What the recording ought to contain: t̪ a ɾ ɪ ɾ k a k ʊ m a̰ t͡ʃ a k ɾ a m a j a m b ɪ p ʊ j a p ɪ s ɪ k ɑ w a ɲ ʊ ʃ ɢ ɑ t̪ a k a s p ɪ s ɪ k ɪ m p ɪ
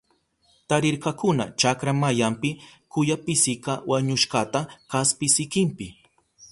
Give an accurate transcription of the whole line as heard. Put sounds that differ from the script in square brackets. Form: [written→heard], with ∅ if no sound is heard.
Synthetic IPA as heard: t̪ a ɾ ɪ ɾ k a k ʊ [m→n] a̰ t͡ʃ a k ɾ a m a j a m [b→p] ɪ [p→k] ʊ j a p ɪ s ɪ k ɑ w a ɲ ʊ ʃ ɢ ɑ t̪ a k a s p ɪ s ɪ k ɪ m p ɪ